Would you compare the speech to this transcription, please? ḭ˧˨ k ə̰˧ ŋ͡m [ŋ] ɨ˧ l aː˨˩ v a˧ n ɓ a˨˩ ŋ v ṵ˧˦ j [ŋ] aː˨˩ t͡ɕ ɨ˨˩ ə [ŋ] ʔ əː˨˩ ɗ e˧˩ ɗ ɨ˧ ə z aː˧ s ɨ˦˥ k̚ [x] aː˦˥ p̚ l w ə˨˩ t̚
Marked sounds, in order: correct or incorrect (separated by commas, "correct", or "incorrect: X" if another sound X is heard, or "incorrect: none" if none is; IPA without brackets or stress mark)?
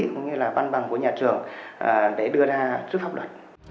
incorrect: ɲ, incorrect: ɲ, correct, incorrect: f